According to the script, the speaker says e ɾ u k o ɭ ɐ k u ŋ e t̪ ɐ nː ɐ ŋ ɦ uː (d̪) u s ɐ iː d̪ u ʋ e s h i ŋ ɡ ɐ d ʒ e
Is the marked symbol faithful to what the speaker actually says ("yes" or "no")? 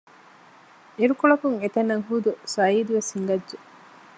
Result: yes